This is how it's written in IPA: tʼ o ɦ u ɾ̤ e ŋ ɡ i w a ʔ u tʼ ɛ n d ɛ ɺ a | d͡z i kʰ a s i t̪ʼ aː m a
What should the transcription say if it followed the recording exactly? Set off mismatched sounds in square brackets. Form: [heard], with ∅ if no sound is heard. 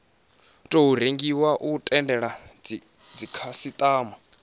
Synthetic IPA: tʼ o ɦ u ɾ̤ e ŋ ɡ i w a ʔ u tʼ ɛ n d ɛ ɺ a | d͡z i kʰ a s i t̪ʼ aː m a